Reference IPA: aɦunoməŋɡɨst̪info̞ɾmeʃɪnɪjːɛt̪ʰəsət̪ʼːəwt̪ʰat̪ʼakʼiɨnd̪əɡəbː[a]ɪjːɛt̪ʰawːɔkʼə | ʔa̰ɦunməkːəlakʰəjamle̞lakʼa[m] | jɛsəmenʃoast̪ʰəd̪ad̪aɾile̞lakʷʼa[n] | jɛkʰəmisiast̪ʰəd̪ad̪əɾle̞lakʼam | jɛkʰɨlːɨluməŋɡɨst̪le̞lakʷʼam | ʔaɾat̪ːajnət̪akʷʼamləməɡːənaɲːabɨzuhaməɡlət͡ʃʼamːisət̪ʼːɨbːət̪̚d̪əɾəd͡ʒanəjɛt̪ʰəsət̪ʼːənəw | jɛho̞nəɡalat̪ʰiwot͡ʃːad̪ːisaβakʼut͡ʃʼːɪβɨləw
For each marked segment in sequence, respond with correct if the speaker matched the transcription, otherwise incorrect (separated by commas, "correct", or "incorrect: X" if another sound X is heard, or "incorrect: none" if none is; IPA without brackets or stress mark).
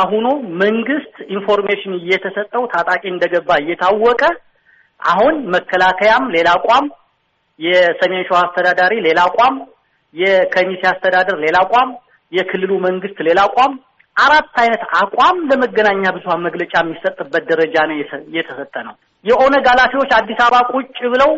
correct, correct, incorrect: m